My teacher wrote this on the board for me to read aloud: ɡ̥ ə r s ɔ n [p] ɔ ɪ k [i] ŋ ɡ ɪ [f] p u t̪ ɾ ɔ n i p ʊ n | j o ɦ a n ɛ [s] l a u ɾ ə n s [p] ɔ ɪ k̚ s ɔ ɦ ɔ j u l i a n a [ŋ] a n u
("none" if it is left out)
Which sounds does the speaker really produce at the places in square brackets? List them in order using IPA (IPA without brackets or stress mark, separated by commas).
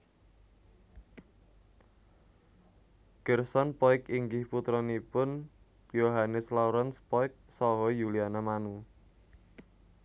p, i, h, s, p, m